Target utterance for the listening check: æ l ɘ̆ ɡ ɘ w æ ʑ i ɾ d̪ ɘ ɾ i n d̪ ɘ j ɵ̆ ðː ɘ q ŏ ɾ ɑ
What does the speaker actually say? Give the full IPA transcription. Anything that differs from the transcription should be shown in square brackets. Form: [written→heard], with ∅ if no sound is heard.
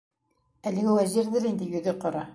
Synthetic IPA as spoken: æ l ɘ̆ ɡ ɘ w æ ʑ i ɾ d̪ ɘ ɾ i n d̪ ɘ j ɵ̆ [ðː→ð] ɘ q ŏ ɾ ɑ